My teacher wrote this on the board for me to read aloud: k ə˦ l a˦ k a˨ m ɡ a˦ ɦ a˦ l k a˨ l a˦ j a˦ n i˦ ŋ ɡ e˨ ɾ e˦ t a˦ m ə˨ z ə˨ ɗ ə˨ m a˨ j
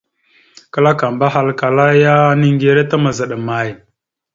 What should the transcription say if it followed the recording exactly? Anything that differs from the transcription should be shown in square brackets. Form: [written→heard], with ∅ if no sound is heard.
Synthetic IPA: k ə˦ l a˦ k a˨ m [ɡ→b] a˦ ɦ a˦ l k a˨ l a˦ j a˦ n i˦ ŋ ɡ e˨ ɾ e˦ t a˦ m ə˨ z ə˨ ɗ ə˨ m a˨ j